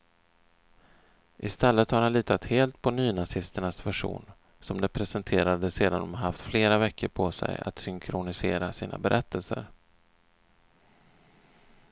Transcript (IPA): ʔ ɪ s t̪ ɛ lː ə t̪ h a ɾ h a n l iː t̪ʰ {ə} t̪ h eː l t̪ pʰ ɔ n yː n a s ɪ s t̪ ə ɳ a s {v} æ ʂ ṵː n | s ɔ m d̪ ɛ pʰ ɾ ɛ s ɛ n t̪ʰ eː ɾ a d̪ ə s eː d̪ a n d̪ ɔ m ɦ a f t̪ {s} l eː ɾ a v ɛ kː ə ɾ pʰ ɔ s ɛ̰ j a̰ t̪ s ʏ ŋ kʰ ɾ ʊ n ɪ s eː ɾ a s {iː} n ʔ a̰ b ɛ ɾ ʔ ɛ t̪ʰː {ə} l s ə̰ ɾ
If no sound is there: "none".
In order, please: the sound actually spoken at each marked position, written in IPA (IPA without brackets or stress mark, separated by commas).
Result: a, v, f, iː, ə